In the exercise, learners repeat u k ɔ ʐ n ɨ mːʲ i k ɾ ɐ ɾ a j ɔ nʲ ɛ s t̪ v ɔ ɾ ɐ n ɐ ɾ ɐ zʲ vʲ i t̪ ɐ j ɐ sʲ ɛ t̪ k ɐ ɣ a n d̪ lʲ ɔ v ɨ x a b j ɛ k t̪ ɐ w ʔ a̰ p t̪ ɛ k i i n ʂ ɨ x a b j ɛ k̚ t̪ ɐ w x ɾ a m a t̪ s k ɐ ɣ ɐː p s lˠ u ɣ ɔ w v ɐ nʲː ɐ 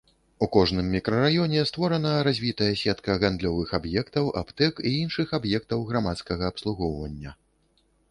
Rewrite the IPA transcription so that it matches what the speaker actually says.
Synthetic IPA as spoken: u k ɔ ʐ n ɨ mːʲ i k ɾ ɐ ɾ a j ɔ nʲ ɛ s t̪ v ɔ ɾ ɐ n ɐ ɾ a zʲ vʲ i t̪ ɐ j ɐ sʲ ɛ t̪ k ɐ ɣ a n d̪ lʲ ɔ v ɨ x a b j ɛ k t̪ ɐ w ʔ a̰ p t̪ ɛ k i i n ʂ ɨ x a b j ɛ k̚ t̪ ɐ w ɣ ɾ a m a t̪ s k ɐ ɣ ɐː p s lˠ u ɣ ɔ w v ɐ nʲː ɐ